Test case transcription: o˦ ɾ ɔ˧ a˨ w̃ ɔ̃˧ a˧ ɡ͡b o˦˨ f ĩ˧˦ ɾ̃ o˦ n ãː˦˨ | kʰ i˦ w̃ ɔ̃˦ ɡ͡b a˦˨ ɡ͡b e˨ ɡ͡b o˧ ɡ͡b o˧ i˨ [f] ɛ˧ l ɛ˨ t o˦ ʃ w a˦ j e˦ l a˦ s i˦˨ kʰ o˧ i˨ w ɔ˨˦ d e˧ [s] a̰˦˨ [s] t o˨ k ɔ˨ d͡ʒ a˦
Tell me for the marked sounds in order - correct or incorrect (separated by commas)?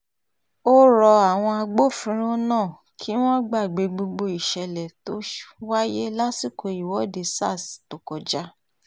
incorrect, correct, correct